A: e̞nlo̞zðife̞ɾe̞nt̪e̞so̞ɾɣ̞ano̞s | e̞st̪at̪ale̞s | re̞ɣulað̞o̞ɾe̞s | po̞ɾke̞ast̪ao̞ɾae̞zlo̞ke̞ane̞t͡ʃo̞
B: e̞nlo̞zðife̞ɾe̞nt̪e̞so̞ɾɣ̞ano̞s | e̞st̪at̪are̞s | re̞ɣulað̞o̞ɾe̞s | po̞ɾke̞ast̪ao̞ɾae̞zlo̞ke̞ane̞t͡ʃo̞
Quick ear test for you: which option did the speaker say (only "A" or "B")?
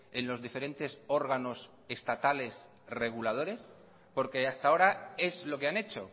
A